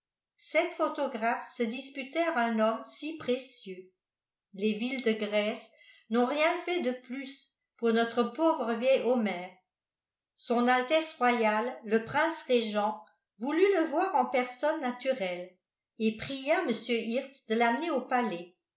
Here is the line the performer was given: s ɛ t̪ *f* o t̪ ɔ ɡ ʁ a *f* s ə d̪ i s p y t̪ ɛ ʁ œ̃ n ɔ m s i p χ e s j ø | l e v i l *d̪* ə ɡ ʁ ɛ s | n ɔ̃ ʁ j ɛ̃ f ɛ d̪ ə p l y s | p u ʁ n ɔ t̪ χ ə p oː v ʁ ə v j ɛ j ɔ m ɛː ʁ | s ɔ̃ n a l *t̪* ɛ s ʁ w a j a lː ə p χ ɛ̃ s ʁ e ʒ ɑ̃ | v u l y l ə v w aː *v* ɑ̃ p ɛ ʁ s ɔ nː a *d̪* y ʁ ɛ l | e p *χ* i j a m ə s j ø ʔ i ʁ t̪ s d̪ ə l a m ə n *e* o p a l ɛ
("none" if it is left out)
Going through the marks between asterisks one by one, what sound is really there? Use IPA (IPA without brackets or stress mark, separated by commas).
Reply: f, f, d̪, t̪, ʁ, t̪, χ, e